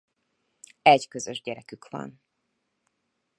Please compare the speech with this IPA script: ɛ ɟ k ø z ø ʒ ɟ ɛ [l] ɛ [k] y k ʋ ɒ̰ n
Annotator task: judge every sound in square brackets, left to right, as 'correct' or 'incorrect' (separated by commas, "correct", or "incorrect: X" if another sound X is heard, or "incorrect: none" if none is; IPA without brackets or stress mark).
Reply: incorrect: ɾ, correct